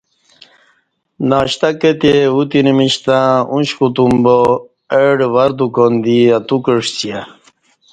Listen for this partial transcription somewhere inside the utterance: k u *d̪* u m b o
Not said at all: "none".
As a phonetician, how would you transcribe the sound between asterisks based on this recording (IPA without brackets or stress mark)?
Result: t̪